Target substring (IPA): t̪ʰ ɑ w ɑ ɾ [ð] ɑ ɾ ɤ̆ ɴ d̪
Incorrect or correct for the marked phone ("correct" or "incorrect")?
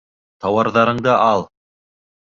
correct